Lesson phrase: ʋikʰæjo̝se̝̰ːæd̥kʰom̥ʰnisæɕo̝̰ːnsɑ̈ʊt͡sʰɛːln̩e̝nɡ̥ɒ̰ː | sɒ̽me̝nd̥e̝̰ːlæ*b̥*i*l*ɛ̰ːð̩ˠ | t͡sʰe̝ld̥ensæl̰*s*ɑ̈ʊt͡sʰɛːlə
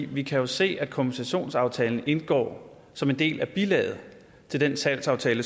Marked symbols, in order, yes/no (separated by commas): yes, yes, yes